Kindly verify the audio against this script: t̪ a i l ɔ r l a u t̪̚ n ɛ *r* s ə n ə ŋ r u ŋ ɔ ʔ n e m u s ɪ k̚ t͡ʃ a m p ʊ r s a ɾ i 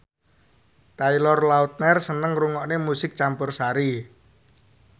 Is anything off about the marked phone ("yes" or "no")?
no